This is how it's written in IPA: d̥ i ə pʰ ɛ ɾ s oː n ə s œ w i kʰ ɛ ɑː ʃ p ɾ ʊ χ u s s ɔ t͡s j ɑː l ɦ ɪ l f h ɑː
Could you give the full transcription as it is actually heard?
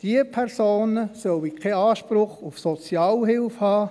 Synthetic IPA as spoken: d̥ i ə pʰ ɛ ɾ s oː n ə s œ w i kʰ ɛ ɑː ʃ p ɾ ʊ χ u f s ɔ t͡s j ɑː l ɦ ɪ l f h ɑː